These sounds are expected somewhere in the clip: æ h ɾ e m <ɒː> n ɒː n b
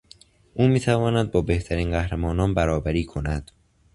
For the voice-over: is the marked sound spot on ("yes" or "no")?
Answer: yes